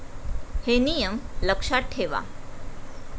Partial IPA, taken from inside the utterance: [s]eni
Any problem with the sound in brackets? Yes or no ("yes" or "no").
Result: yes